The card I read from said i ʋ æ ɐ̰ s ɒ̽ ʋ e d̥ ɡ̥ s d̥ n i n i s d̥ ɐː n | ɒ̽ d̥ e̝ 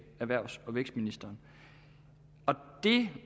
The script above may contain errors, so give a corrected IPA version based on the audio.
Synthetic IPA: æ ʋ æ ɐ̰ s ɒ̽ ʋ e ɡ̥ s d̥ m i n i s d̥ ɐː n | ɒ̽ d̥ e̝